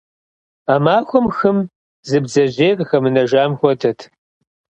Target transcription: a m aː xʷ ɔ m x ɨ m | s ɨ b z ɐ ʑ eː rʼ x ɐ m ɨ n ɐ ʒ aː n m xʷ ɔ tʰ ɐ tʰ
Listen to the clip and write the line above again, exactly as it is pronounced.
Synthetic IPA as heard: a m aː xʷ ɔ m x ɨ m | z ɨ b z ɐ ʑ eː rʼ x ɐ m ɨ n ɐ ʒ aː m xʷ ɔ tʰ ɐ tʰ